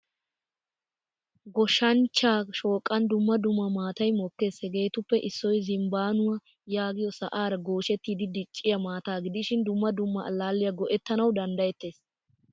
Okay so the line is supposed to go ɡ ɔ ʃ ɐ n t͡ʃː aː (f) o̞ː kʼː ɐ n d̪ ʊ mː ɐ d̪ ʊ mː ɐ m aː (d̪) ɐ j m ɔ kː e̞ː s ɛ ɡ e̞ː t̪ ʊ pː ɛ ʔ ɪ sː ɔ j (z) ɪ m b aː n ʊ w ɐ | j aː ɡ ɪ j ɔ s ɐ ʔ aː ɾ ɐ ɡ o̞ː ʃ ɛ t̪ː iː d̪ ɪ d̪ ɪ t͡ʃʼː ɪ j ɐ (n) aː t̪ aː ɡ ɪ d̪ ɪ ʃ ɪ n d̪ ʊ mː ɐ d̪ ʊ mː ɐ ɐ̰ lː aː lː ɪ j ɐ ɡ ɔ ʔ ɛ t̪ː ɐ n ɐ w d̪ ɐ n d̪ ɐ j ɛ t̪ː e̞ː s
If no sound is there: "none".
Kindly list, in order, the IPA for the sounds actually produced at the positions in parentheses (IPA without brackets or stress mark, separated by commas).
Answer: ʃ, t̪, z, m